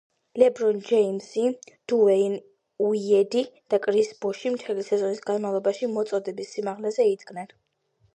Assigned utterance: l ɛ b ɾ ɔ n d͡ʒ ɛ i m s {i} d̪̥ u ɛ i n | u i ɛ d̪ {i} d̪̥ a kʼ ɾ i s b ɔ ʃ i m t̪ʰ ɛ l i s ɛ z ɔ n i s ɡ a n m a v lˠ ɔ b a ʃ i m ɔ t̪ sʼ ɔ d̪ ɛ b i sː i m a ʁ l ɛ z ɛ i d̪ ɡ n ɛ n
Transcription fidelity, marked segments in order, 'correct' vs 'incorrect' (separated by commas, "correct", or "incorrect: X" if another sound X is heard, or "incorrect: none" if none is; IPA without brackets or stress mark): correct, correct